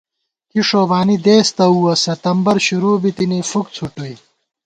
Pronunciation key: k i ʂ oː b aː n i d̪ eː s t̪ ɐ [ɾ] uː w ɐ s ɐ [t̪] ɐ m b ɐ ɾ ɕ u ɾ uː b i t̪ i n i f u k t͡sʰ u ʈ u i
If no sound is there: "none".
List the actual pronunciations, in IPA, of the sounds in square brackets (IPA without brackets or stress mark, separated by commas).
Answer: none, t̪